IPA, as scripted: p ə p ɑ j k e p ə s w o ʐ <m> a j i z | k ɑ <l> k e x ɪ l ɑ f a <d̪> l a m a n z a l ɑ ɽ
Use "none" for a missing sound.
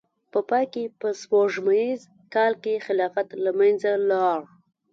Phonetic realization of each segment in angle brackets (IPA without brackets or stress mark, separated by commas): m, l, t̪